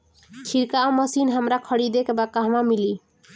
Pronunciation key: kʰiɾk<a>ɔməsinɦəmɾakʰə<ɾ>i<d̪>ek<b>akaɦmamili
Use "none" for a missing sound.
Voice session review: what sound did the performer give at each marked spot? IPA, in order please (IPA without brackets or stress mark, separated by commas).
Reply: a, ɽ, d̪, b